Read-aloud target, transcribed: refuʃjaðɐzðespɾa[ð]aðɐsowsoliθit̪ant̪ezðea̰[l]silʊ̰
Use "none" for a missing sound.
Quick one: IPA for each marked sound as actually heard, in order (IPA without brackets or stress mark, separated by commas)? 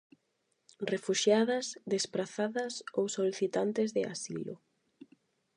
θ, none